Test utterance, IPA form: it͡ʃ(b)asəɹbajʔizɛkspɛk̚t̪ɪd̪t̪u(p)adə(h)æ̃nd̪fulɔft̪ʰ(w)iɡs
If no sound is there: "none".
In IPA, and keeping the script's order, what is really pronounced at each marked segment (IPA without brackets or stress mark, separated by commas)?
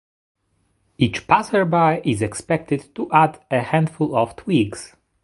p, ʔ, h, w